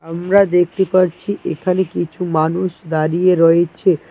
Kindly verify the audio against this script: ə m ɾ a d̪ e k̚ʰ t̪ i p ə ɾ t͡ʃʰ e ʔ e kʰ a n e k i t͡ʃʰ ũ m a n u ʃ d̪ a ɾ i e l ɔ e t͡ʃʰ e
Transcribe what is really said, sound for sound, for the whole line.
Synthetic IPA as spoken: ə m ɾ a d̪ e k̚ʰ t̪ i p ə ɾ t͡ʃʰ i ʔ e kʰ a n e k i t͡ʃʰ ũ m a n u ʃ d̪ a ɾ i e ɾ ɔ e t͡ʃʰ e